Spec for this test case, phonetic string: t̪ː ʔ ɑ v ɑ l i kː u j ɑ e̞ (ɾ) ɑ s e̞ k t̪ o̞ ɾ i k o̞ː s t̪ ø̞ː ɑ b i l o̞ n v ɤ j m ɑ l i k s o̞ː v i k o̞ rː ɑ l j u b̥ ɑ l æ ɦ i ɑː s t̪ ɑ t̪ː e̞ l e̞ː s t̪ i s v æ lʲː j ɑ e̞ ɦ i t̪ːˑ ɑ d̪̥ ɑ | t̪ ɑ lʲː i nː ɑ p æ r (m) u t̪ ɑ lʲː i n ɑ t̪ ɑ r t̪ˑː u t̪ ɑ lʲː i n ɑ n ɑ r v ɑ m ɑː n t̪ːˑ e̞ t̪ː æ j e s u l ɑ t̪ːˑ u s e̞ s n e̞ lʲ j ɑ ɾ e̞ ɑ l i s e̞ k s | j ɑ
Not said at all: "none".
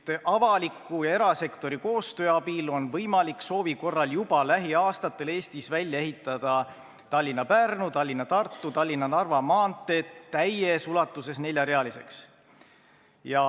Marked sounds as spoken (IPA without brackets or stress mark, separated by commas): ɾ, n